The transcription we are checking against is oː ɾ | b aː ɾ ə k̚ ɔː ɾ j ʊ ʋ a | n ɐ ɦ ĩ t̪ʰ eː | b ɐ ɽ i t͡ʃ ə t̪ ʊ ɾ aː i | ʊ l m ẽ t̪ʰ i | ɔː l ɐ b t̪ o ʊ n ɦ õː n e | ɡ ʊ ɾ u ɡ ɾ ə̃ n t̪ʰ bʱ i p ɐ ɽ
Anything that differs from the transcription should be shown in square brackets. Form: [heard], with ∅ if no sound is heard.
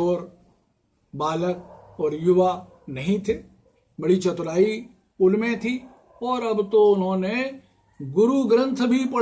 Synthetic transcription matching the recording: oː ɾ | b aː [l] ə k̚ ɔː ɾ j ʊ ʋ a | n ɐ ɦ ĩ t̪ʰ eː | b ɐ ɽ i t͡ʃ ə t̪ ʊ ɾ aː i | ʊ l m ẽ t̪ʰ i | ɔː [ɾ] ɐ b t̪ o ʊ n ɦ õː n e | ɡ ʊ ɾ u ɡ ɾ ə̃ n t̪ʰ bʱ i p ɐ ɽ